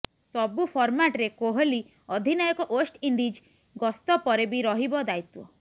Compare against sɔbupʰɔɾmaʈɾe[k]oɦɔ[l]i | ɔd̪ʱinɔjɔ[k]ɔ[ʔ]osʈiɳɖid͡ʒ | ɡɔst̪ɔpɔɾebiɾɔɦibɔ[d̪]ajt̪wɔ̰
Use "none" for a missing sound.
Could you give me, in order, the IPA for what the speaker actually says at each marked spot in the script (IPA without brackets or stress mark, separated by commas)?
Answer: k, l, k, ʔ, d̪